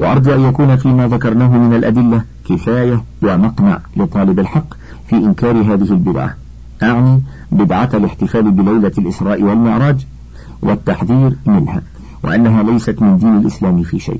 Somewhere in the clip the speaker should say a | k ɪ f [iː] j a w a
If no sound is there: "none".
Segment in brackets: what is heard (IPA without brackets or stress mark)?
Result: aː